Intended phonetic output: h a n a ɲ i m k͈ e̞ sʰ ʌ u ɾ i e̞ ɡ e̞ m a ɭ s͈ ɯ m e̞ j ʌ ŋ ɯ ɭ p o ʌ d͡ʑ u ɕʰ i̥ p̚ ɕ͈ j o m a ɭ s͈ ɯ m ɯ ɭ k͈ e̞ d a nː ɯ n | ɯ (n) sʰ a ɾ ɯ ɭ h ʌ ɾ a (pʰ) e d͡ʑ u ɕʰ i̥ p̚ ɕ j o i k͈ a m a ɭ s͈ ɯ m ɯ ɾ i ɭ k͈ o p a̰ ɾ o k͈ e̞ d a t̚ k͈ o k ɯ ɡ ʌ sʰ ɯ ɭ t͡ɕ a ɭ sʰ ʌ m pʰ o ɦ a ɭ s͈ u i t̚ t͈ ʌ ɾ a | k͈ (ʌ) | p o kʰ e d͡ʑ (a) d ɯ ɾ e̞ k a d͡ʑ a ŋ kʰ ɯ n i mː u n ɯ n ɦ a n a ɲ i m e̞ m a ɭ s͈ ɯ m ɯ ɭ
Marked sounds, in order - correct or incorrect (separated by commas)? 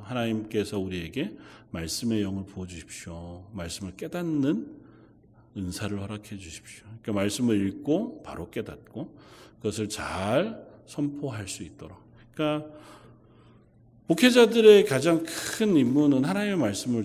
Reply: correct, incorrect, incorrect, correct